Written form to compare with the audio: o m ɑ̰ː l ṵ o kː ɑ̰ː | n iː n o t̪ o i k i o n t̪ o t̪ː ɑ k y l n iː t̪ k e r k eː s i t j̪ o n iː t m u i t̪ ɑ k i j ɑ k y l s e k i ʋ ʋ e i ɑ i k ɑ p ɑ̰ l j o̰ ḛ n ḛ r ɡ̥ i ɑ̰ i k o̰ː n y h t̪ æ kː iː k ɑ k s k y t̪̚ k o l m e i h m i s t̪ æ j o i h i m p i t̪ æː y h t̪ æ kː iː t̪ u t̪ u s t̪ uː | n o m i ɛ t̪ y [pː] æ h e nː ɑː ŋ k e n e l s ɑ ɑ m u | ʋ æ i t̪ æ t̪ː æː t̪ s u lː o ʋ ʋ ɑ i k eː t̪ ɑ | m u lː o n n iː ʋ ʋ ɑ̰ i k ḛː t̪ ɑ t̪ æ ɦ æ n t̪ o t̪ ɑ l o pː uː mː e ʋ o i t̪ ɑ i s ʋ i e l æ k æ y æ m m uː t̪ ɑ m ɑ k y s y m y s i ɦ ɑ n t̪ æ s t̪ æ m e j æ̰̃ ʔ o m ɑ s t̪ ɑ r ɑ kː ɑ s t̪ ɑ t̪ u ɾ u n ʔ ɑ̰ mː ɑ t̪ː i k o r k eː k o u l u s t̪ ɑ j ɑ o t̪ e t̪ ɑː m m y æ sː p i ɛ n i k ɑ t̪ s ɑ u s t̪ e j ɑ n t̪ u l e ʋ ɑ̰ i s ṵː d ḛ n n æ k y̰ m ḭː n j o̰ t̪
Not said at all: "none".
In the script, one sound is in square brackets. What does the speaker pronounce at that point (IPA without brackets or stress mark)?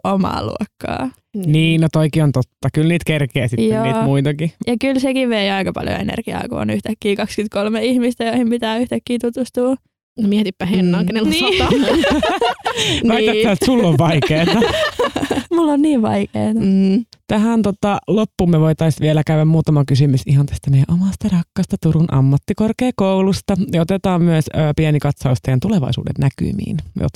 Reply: pː